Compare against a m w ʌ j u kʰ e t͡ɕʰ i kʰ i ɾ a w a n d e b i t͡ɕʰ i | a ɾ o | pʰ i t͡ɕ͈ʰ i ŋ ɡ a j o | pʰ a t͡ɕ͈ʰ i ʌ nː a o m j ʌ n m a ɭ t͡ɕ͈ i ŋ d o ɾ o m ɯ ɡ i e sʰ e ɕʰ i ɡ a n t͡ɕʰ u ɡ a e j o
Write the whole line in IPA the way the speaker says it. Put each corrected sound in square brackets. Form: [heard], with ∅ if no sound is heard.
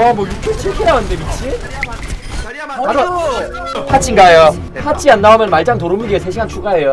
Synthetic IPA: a m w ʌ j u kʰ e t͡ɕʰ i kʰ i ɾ a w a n d e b i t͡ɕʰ i | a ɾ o | pʰ [a] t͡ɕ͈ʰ i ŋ ɡ a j o | pʰ a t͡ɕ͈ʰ i [a] nː a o m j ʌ n m a ɭ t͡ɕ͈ [a] ŋ [t] o ɾ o m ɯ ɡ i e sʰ e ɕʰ i ɡ a n t͡ɕʰ u ɡ a e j o